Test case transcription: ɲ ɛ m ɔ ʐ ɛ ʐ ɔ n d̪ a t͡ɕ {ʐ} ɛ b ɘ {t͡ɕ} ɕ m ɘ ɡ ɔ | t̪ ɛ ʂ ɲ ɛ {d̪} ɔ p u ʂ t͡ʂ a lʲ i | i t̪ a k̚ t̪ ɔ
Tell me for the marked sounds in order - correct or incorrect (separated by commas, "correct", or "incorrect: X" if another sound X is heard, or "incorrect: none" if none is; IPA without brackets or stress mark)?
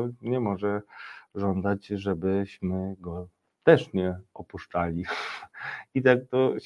correct, incorrect: none, incorrect: none